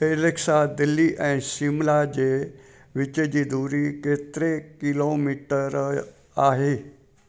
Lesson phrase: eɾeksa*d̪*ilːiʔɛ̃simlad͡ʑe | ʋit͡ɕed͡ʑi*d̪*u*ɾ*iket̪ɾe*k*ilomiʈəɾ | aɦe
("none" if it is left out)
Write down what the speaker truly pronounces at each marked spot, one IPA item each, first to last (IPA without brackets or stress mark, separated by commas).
d̪, d̪, ɾ, k